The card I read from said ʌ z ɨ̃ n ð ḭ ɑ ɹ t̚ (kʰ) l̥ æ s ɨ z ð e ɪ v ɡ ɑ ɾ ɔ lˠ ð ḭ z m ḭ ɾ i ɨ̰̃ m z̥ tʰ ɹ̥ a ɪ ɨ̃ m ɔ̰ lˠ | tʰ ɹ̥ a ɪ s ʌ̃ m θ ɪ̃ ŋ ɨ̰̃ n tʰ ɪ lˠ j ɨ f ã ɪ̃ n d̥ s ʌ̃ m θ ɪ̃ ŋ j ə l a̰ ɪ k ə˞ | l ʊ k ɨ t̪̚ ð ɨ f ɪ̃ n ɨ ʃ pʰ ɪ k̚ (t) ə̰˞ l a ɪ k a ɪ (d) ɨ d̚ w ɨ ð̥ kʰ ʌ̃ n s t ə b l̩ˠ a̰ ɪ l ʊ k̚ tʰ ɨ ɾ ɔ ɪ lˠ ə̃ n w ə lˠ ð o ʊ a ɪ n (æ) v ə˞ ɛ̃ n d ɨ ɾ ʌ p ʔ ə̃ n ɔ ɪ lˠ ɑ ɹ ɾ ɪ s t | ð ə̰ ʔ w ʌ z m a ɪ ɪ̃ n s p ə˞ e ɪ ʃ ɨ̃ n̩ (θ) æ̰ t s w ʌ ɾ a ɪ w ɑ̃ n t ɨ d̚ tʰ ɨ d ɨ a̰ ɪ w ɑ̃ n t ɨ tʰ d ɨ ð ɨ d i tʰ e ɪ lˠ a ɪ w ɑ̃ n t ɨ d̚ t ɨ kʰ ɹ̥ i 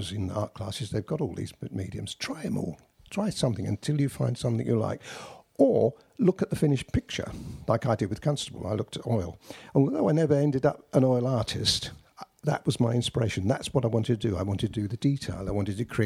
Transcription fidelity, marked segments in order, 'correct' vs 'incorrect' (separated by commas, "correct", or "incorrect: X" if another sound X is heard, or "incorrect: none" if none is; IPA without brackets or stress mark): correct, incorrect: t͡ʃ, correct, incorrect: ɛ, incorrect: ð